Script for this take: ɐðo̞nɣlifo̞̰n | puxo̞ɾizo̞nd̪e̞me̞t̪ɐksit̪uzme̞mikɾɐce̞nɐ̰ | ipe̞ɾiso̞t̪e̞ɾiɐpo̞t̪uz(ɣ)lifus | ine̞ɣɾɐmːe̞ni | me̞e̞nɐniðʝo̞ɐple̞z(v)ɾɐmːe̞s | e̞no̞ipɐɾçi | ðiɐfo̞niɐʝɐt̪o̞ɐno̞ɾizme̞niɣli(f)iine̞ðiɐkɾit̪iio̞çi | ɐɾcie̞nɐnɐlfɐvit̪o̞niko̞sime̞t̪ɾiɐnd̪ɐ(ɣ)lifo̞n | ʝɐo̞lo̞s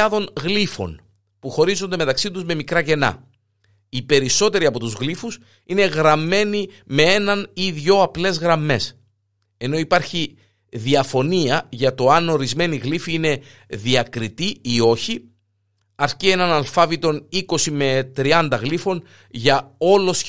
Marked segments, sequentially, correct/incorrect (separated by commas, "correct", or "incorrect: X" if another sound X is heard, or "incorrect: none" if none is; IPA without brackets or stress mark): correct, incorrect: ɣ, correct, correct